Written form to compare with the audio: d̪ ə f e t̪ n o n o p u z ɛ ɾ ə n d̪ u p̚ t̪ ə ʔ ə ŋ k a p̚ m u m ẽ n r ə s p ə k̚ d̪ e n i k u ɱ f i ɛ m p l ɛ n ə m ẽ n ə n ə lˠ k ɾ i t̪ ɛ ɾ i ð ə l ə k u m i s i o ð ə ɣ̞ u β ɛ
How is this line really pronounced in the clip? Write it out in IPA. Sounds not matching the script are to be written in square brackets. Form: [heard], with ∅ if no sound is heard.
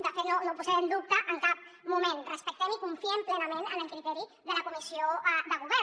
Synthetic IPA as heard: d̪ ə f e t̪ n o n o p u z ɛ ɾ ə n d̪ u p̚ t̪ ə ʔ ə ŋ k a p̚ m u m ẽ n r ə s p ə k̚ [t̪] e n i k u ɱ f i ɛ m p l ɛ n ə m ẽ n ə n ə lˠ k ɾ i t̪ ɛ ɾ i ð ə l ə k u m i s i o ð ə ɣ̞ u β ɛ